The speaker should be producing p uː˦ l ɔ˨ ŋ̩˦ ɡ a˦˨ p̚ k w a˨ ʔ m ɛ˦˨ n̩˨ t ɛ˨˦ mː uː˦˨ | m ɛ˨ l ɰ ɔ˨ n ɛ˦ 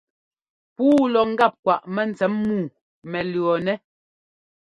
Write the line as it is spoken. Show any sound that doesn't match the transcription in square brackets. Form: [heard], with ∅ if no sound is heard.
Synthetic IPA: p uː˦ l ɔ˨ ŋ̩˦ ɡ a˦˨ p̚ k w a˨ ʔ m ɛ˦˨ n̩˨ [t͡s] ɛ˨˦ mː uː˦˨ | m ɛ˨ l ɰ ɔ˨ n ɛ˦